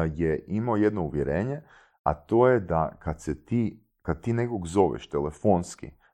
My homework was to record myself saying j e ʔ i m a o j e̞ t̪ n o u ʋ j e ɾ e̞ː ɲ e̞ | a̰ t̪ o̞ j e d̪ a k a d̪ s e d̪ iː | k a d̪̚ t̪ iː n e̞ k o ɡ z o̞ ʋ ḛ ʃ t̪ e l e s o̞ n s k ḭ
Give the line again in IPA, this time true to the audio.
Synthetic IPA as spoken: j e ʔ i m a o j e̞ d̪ n o u ʋ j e ɾ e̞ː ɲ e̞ | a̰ t̪ o̞ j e d̪ a k a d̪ s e t̪ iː | k a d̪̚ t̪ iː n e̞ k o ɡ z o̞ ʋ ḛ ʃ t̪ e l e f o̞ n s k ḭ